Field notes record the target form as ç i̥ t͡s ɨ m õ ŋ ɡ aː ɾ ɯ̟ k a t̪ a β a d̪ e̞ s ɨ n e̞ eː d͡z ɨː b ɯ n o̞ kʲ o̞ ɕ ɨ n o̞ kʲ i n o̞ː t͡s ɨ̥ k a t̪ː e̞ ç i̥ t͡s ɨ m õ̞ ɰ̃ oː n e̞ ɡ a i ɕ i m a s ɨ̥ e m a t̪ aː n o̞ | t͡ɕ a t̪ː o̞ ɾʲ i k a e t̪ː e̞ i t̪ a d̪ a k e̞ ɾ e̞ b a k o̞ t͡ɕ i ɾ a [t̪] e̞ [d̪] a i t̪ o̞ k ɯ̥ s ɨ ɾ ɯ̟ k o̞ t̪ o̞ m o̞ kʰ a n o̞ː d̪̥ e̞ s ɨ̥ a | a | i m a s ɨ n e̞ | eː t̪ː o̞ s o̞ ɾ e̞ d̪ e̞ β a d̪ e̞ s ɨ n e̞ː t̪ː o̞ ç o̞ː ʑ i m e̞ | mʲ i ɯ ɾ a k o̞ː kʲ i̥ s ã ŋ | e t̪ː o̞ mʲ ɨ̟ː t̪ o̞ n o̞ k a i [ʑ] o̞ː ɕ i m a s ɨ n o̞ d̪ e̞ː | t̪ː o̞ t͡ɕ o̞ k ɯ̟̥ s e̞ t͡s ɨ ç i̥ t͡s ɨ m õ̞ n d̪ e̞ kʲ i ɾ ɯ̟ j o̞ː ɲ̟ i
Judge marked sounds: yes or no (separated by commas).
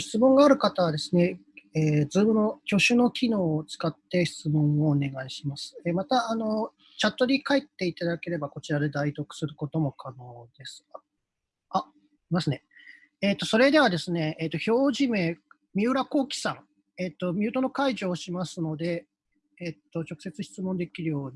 no, yes, yes